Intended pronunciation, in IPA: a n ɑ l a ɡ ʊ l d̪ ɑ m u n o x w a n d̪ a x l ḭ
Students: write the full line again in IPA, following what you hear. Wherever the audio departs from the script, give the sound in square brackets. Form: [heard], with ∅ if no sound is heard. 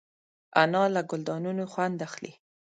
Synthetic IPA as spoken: a n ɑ l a ɡ ʊ l d̪ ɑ [n] u n o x w a n d̪ a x l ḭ